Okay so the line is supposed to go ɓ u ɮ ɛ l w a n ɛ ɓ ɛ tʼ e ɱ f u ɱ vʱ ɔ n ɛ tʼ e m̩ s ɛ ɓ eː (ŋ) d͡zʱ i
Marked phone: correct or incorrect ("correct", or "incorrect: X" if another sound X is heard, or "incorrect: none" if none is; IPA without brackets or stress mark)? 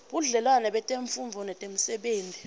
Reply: incorrect: n